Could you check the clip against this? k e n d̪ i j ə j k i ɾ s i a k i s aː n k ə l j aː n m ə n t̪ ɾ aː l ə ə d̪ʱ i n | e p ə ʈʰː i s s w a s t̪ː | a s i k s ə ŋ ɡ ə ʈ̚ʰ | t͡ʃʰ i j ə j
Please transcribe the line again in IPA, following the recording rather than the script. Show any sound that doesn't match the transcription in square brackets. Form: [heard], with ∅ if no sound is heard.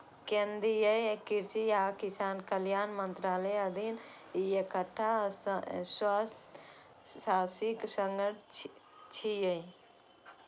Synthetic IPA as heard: k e n d̪ i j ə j k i ɾ s i a k i s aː n k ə l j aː n m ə n t̪ ɾ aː l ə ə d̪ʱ i n | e [k] ə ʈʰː [a] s s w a s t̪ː | a s i k s ə ŋ ɡ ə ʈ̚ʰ | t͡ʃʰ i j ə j